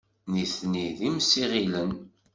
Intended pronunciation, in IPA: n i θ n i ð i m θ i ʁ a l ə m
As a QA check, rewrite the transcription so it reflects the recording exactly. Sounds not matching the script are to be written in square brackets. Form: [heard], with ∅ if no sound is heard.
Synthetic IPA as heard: n i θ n i ð i m [s] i ʁ [i] l ə [n]